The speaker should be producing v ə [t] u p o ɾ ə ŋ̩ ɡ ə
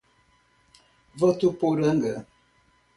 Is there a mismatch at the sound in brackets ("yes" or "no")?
no